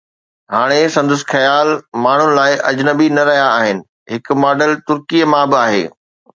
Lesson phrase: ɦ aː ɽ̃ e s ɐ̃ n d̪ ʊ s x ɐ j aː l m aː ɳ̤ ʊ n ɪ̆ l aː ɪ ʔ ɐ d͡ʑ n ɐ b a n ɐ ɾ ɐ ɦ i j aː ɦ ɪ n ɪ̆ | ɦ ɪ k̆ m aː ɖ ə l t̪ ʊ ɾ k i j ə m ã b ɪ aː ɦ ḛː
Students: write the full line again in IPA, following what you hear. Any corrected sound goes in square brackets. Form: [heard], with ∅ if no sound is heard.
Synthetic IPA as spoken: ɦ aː ɽ̃ e s ɐ̃ n d̪ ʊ s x ɐ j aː l m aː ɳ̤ ʊ n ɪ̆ l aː ɪ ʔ ɐ d͡ʑ n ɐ b [i] n ɐ ɾ ɐ ɦ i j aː ɦ ɪ n ɪ̆ | ɦ ɪ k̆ m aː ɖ ə l t̪ ʊ ɾ k i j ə m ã b ɪ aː ɦ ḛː